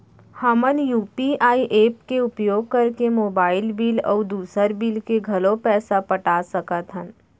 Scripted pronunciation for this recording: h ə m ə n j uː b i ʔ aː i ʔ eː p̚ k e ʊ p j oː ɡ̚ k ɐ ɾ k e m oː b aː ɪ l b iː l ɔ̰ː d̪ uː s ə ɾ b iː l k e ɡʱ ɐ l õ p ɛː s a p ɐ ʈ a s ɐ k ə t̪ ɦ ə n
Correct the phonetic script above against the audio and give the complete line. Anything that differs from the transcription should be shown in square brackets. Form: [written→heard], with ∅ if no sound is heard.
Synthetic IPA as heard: h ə m ə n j uː [b→p] i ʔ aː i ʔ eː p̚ k e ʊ p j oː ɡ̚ k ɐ ɾ k e m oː b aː ɪ l b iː l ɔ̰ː d̪ uː s ə ɾ b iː l k e ɡʱ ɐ l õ p ɛː s a p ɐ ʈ a s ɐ k ə t̪ ɦ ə n